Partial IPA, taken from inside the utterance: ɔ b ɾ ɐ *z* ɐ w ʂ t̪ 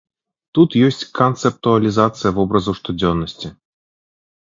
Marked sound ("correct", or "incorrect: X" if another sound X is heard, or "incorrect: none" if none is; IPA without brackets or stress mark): correct